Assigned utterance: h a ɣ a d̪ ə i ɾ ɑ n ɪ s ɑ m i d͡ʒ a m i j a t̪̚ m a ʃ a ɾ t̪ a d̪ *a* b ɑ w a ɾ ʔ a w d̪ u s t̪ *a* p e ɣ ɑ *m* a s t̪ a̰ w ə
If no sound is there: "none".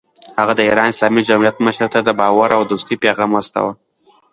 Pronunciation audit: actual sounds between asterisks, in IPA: ə, i, m

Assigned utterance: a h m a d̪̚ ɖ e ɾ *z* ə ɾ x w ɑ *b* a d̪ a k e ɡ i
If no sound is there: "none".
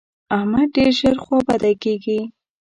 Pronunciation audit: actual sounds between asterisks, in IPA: ʒ, b

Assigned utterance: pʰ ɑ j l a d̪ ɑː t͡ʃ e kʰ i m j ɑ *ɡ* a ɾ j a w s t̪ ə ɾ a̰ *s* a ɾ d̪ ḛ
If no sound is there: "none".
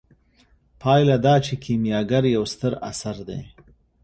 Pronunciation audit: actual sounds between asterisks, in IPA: ɡ, s

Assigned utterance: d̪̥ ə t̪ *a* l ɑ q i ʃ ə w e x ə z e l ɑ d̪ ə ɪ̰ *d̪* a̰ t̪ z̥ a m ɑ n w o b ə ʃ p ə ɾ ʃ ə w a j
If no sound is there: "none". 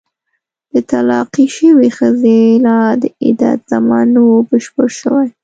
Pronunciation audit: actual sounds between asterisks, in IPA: a, d̪

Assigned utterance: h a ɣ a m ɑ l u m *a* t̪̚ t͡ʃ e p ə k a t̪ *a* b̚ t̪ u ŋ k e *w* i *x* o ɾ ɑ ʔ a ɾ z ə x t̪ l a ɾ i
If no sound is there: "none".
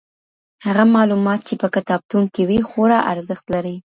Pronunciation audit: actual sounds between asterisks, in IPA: ɑ, ɑ, w, x

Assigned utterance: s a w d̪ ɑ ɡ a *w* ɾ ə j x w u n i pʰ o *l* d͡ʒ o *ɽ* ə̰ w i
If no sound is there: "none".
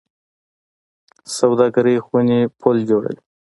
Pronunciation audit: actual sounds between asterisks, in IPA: none, l, ɽ

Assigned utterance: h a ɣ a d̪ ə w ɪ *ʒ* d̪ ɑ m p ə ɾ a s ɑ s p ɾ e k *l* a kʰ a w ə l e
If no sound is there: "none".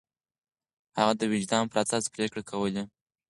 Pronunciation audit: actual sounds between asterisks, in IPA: d͡ʒ, ɽ

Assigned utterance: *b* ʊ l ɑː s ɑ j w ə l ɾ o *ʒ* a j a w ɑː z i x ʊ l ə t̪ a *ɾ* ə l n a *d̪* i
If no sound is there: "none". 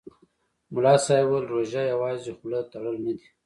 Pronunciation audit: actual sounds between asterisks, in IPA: m, ʒ, ɽ, d̪

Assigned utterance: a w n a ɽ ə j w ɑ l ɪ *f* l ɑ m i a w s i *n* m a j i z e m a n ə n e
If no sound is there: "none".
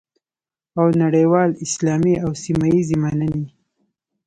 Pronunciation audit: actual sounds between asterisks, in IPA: s, none

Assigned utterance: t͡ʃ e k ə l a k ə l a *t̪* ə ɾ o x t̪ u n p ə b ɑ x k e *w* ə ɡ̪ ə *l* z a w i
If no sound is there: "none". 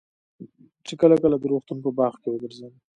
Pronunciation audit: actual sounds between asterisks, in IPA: d̪, w, ɾ

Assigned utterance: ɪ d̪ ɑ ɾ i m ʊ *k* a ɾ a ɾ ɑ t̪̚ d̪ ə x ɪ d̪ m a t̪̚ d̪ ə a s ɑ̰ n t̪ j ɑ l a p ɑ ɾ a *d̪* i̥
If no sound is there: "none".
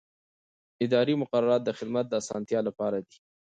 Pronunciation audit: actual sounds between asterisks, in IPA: q, d̪

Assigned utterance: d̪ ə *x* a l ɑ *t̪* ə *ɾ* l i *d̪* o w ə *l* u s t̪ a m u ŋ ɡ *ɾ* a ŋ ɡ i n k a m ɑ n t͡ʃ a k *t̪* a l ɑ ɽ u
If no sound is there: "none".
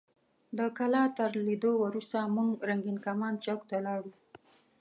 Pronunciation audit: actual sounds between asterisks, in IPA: k, t̪, ɾ, d̪, ɾ, ɾ, t̪

